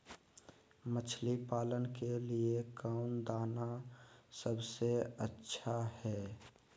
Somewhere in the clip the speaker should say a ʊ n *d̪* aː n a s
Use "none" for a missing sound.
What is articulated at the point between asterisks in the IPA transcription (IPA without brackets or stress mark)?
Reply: d̪